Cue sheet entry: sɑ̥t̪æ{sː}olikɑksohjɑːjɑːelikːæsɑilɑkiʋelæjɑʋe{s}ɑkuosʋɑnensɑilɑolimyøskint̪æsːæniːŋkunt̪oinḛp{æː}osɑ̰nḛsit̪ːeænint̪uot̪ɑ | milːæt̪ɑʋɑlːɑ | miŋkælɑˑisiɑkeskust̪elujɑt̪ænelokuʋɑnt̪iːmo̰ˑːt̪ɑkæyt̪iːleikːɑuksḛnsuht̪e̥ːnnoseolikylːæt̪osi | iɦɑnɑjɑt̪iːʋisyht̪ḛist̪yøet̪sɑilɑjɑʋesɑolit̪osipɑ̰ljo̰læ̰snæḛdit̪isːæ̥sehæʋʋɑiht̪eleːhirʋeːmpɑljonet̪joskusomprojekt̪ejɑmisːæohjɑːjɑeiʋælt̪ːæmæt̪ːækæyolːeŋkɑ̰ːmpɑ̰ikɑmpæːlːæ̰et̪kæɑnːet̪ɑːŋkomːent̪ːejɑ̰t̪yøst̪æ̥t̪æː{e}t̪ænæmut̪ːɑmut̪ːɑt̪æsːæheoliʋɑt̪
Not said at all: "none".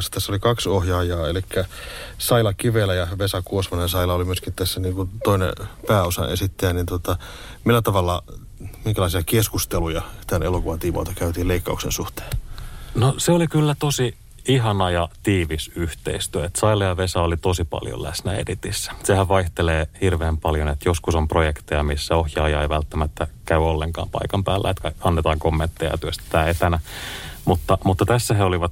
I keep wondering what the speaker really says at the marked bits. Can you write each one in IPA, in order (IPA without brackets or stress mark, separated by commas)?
sː, s, æː, e